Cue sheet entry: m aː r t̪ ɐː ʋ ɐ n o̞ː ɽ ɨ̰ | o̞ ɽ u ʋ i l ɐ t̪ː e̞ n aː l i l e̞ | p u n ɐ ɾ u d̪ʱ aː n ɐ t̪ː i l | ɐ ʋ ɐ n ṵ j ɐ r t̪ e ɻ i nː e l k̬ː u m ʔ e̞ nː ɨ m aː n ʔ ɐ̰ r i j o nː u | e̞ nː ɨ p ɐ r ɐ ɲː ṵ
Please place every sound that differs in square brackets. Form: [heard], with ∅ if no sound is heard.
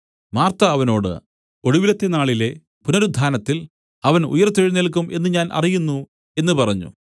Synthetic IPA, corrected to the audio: m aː r t̪ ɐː ʋ ɐ n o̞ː ɽ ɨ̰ | o̞ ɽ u ʋ i l ɐ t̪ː e̞ n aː [ɭ] i l e̞ | p u n ɐ ɾ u d̪ʱ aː n ɐ t̪ː i l | ɐ ʋ ɐ n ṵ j ɐ r t̪ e ɻ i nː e l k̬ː u m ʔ e̞ nː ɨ [ɲ] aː n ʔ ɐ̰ r i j [u] nː u | e̞ nː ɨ p ɐ r ɐ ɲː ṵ

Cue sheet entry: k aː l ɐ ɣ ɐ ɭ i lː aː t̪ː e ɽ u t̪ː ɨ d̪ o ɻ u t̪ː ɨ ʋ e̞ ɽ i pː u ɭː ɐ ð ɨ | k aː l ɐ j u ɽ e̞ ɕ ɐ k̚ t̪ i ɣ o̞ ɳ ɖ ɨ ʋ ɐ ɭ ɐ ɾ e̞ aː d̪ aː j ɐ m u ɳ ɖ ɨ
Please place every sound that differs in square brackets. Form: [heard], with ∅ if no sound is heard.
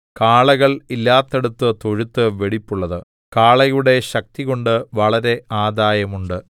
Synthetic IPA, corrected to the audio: k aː [ɭ] ɐ ɣ ɐ ɭ i lː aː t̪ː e ɽ u t̪ː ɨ [t̪] o ɻ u t̪ː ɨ ʋ e̞ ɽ i pː u ɭː ɐ ð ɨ | k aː [ɭ] ɐ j u ɽ e̞ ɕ ɐ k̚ t̪ i ɣ o̞ ɳ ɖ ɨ ʋ ɐ ɭ ɐ ɾ e̞ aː d̪ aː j ɐ m u ɳ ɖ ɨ

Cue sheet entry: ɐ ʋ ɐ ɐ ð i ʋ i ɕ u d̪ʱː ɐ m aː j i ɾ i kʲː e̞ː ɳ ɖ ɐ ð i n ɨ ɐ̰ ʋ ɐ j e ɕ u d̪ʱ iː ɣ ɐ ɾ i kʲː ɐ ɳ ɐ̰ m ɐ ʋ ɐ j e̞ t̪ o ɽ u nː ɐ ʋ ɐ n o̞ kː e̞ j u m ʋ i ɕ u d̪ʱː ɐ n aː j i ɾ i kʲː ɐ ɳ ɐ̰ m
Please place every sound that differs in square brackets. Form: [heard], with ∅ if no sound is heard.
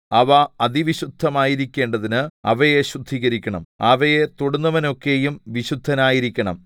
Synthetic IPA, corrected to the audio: ɐ ʋ ɐ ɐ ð i ʋ i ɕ u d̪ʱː ɐ m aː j i ɾ i kʲː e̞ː ɳ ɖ ɐ ð i n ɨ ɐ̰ ʋ ɐ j e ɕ u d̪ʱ iː ɣ ɐ ɾ i kʲː ɐ ɳ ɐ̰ m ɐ ʋ ɐ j e̞ t̪ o ɽ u nː ɐ ʋ ɐ n o̞ kː e̞ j u m ʋ i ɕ u d̪ʱː ɐ n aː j i ɾ i kʲː ɐ ɳ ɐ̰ m

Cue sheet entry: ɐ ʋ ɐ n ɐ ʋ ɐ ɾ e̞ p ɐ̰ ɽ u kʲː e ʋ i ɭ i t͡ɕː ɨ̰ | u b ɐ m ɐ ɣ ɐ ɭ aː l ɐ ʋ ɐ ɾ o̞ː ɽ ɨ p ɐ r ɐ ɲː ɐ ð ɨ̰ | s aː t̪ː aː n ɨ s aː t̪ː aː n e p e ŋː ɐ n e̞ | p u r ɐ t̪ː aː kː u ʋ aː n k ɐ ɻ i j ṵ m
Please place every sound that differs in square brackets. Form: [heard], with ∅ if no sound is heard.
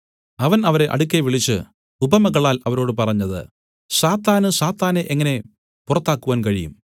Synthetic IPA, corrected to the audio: ɐ ʋ ɐ n ɐ ʋ ɐ ɾ e̞ [ʔ] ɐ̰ ɽ u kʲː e ʋ i ɭ i t͡ɕː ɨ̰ | u b ɐ m ɐ ɣ ɐ ɭ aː l ɐ ʋ ɐ ɾ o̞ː ɽ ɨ p ɐ r ɐ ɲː ɐ ð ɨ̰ | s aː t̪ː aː n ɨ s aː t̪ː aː n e [ʔ] e ŋː ɐ n e̞ | p u r ɐ t̪ː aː kː u ʋ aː n k ɐ ɻ i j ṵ m

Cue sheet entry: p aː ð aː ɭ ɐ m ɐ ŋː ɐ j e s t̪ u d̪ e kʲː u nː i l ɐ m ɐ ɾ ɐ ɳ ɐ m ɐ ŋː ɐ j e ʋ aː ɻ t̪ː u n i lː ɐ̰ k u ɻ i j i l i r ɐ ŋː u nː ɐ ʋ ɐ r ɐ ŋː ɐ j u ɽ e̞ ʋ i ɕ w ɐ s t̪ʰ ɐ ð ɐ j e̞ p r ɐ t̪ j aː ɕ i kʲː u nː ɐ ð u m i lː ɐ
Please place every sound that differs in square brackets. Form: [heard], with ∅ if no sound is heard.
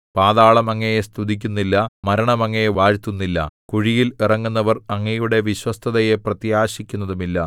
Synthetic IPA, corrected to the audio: p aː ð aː ɭ ɐ m ɐ ŋː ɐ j e s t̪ u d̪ [i] kʲː u nː i [lː] ɐ m ɐ ɾ ɐ ɳ ɐ m ɐ ŋː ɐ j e ʋ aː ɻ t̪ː u [nː] i lː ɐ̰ k u ɻ i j i l i r ɐ ŋː u nː ɐ ʋ ɐ r ɐ ŋː ɐ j u ɽ e̞ ʋ i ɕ w ɐ s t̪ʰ ɐ ð ɐ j e̞ p r ɐ t̪ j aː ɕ i kʲː u nː ɐ ð u m i lː ɐ

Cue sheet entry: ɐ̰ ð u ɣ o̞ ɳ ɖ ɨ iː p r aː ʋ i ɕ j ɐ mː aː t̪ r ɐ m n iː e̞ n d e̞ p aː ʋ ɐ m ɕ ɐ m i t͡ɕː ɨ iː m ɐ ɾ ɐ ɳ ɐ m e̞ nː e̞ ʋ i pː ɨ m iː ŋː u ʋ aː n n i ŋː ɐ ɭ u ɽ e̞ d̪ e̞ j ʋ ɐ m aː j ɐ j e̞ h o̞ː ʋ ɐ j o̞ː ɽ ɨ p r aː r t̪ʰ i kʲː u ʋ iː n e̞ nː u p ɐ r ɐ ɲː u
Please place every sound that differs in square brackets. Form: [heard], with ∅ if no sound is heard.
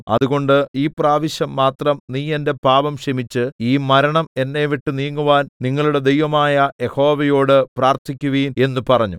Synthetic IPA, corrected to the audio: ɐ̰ ð u ɣ o̞ ɳ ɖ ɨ iː p r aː ʋ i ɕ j ɐ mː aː t̪ r ɐ m n iː e̞ n d e̞ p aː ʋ ɐ m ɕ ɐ m i t͡ɕː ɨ iː m ɐ ɾ ɐ ɳ ɐ m e̞ nː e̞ ʋ i [ʈː] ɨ [n] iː ŋː u ʋ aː n n i ŋː ɐ ɭ u ɽ e̞ d̪ e̞ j ʋ ɐ m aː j ɐ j e̞ h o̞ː ʋ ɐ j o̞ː ɽ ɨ p r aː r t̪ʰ i kʲː u ʋ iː n e̞ nː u p ɐ r ɐ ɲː u

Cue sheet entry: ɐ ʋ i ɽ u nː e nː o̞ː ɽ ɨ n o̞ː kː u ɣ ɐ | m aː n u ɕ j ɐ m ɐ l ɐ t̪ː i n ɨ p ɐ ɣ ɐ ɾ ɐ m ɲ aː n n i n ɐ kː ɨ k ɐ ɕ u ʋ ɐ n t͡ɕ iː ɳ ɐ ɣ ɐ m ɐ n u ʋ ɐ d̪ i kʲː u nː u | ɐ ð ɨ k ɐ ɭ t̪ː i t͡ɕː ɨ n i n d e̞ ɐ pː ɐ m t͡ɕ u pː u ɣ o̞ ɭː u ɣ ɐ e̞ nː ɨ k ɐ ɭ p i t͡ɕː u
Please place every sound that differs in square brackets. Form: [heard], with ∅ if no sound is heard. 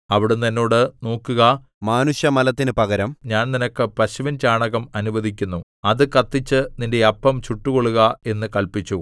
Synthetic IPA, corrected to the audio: ɐ ʋ i ɽ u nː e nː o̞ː ɽ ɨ n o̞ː kː u ɣ ɐ | m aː n u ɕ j ɐ m ɐ l ɐ t̪ː i n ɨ p ɐ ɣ ɐ ɾ ɐ m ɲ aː n n i n ɐ kː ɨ [p] ɐ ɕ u ʋ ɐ n t͡ɕ [aː] ɳ ɐ ɣ ɐ m ɐ n u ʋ ɐ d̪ i kʲː u nː u | ɐ ð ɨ k ɐ [∅] t̪ː i t͡ɕː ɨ n i n d e̞ ɐ pː ɐ m t͡ɕ u [ʈː] u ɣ o̞ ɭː u ɣ ɐ e̞ nː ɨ k ɐ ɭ p i t͡ɕː u

